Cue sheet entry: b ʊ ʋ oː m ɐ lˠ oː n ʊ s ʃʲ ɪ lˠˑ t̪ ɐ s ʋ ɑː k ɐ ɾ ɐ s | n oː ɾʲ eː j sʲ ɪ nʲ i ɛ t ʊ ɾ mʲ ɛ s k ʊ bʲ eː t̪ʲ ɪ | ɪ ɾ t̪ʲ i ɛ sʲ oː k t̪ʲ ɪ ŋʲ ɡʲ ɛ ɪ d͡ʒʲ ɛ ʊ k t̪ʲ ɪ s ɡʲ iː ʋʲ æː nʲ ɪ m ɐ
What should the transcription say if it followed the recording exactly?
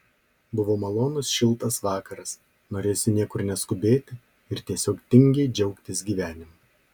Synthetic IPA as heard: b ʊ ʋ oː m ɐ lˠ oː n ʊ s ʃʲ ɪ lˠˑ t̪ ɐ s ʋ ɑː k ɐ ɾ ɐ s | n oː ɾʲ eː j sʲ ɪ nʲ i ɛ k ʊ ɾ nʲ ɛ s k ʊ bʲ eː t̪ʲ ɪ | ɪ ɾ t̪ʲ i ɛ sʲ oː k t̪ʲ ɪ ŋʲ ɡʲ ɛ ɪ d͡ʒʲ ɛ ʊ k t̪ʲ ɪ s ɡʲ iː ʋʲ æː nʲ ɪ m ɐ